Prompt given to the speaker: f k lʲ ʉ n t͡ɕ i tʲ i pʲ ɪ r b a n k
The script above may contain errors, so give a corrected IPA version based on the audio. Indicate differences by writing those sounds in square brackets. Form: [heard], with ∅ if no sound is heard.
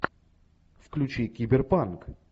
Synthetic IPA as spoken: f k lʲ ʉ [∅] t͡ɕ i [kʲ] i [bʲ] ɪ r [p] a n k